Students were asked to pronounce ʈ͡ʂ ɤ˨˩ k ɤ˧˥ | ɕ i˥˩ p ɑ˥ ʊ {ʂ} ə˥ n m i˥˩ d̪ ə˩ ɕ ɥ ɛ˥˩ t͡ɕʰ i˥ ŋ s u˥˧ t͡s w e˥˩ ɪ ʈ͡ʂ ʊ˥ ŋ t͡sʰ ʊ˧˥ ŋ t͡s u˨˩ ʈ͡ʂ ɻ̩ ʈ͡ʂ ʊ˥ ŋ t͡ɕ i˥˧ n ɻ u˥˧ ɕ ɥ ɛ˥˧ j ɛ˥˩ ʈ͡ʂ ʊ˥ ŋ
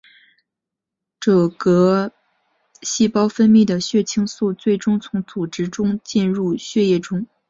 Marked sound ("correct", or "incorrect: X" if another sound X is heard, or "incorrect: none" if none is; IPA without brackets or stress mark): incorrect: f